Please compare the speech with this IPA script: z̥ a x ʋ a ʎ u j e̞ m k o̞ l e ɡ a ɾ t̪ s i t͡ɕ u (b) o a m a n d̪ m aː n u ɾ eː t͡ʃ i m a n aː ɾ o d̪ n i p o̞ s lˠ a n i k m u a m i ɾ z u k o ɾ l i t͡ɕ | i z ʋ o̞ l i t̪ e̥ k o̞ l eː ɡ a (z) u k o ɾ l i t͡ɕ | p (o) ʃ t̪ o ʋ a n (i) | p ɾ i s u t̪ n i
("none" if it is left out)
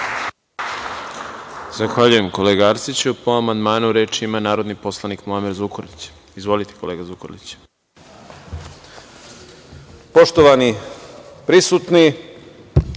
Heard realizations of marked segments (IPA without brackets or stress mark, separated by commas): p, z, o, i